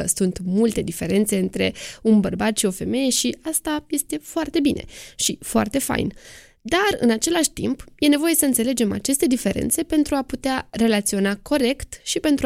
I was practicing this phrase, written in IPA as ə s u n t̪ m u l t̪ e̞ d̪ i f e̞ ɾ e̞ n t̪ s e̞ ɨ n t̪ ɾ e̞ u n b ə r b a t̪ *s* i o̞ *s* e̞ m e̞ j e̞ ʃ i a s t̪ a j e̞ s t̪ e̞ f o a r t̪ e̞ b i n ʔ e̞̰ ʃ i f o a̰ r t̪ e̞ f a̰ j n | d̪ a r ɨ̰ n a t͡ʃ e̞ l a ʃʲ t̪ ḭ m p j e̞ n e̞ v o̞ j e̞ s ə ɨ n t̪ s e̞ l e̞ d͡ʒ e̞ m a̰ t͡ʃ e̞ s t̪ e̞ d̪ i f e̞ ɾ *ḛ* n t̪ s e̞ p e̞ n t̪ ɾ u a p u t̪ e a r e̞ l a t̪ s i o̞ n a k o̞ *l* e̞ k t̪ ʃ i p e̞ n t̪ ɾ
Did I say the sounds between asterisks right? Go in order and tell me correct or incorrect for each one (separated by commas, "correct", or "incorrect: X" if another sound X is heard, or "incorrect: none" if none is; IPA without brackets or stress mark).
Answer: incorrect: ʃ, incorrect: f, correct, incorrect: ɾ